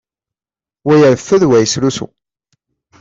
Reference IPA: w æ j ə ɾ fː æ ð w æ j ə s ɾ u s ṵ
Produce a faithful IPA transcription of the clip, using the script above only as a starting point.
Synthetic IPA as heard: w æ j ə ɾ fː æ ð w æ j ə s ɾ u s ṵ